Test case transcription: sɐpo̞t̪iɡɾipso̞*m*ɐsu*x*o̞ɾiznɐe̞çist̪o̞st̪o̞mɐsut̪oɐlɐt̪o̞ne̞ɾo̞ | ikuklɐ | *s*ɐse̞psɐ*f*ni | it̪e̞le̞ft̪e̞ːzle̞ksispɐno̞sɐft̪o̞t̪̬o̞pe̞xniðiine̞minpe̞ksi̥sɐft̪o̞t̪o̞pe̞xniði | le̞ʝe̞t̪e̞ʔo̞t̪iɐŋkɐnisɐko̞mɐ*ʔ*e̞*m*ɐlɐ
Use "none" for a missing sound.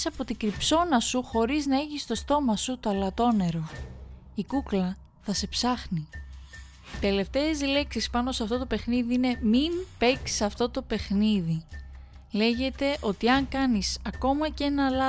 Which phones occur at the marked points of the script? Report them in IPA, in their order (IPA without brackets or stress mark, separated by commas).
n, x, θ, x, c, n